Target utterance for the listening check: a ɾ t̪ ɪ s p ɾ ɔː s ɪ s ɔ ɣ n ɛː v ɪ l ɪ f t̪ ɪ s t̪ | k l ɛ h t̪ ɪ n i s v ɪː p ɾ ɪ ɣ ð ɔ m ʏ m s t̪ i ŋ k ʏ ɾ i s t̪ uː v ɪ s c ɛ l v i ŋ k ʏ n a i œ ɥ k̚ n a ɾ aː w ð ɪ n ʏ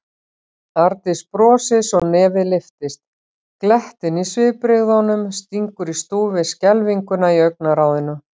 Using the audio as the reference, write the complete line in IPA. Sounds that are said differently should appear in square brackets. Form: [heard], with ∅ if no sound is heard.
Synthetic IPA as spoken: a ɾ t̪ ɪ s p ɾ ɔː s ɪ s ɔ ɣ n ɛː v ɪ l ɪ f t̪ ɪ s t̪ | k l ɛ h t̪ ɪ n i s v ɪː p ɾ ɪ ɣ ð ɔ [n] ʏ m s t̪ i ŋ k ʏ ɾ i s t̪ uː v ɪ s c ɛ l v i ŋ k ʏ n a i œ ɥ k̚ n a ɾ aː w ð ɪ n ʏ